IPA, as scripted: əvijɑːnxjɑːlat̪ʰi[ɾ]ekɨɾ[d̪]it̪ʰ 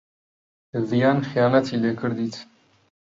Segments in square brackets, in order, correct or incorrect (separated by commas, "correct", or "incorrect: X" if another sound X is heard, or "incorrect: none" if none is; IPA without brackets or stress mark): incorrect: l, correct